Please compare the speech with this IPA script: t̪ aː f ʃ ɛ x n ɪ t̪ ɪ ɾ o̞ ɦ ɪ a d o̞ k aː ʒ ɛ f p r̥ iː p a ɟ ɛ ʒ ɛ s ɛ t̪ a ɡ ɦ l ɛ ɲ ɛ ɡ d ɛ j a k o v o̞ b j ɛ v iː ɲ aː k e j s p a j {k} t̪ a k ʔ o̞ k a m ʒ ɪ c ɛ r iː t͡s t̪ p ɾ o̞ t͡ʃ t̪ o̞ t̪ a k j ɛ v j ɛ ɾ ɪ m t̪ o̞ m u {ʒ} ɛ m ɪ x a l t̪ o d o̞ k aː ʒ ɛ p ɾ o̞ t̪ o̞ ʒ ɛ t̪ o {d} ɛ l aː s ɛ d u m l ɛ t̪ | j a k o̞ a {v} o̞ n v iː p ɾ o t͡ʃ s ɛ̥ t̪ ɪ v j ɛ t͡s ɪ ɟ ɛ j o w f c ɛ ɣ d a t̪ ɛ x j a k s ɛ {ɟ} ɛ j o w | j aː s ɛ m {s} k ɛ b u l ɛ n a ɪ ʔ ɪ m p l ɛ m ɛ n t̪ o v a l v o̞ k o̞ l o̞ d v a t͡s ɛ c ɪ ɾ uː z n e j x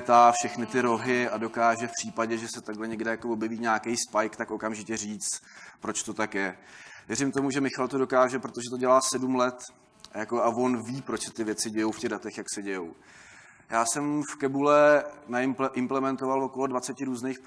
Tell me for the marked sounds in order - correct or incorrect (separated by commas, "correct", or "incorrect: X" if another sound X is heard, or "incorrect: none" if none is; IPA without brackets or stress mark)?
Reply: correct, correct, incorrect: ɟ, correct, correct, incorrect: f